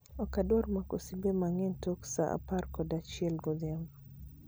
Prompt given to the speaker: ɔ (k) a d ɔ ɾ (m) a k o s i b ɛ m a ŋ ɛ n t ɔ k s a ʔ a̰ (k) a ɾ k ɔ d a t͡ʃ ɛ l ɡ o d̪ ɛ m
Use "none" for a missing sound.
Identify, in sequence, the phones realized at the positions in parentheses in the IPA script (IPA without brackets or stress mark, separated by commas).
k, m, p